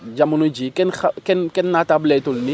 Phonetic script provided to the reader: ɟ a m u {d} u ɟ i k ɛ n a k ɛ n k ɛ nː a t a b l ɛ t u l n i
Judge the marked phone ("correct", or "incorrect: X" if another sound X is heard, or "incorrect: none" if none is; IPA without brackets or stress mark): incorrect: n